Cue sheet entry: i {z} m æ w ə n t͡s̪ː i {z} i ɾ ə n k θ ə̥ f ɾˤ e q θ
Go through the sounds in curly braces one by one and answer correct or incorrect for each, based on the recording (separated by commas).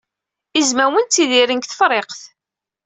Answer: correct, incorrect